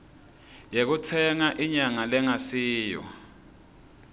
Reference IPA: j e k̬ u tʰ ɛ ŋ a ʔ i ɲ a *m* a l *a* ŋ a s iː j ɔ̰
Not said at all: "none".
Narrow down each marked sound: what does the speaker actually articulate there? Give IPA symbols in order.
ŋ, ɛ

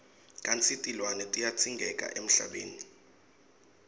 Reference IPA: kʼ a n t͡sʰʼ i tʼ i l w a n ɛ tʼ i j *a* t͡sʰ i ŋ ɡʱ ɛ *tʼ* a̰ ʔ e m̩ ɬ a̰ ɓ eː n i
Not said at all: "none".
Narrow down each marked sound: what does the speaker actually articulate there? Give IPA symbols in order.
a, kʼ

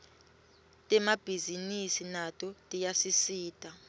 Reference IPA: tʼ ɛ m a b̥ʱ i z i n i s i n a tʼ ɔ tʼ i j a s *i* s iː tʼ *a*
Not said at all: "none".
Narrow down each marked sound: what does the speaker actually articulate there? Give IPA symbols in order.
i, a

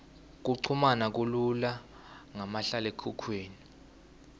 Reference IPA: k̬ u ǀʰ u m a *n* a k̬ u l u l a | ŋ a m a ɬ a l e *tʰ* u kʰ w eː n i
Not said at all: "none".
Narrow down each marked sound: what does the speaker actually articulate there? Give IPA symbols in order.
n, kʰ

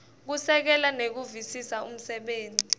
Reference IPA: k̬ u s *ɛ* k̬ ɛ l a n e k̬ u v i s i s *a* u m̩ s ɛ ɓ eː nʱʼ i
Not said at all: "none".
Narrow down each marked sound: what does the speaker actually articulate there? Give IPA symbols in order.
ɛ, a

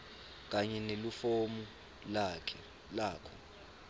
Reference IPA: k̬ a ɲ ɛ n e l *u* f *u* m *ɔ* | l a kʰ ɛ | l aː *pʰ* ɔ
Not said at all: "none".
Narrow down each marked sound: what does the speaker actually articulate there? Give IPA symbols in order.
u, o, u, kʰ

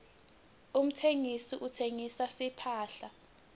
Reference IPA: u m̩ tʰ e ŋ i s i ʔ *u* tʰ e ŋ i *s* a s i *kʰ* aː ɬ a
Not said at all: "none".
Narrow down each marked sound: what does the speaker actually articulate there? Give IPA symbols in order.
u, s, pʰ

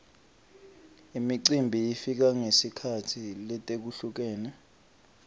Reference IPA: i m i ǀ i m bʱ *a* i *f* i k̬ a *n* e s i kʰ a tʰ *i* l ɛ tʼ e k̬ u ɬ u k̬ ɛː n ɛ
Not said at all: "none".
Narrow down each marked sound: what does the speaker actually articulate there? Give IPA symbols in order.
i, f, ŋ, i

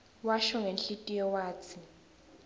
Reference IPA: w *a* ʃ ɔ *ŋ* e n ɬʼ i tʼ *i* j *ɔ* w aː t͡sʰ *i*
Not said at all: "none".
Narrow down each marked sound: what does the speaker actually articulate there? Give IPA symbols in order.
a, ŋ, i, ɔ, i

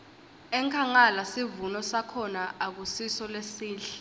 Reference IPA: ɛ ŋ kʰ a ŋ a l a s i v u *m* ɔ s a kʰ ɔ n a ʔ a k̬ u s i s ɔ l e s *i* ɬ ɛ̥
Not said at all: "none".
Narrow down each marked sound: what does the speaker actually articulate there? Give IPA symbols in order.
n, iː

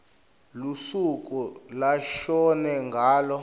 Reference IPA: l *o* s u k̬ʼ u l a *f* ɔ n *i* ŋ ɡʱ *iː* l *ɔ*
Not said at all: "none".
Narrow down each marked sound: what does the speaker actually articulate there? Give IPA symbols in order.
u, ʃ, ɛ, aː, ɔ

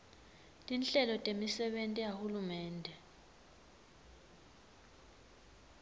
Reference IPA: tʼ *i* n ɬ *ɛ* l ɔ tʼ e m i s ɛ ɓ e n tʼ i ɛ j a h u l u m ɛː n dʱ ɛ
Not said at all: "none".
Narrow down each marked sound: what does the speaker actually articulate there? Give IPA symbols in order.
i, ɛ

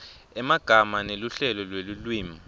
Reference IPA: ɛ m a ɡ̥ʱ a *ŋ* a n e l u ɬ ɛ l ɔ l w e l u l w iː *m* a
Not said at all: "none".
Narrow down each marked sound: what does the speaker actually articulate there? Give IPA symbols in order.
m, m

